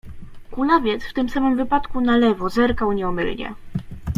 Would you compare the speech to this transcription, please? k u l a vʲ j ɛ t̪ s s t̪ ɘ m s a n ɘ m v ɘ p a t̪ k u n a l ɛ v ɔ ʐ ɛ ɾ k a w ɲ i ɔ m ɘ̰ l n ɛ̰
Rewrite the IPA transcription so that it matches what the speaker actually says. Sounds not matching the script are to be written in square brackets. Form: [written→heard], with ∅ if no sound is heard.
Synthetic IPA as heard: k u l a vʲ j ɛ t̪ s [s→f] t̪ ɘ m s a [n→m] ɘ m v ɘ p a t̪ k u n a l ɛ v ɔ [ʐ→z] ɛ ɾ k a w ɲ [i→ɛ] ɔ m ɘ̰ l [n→ɲ] ɛ̰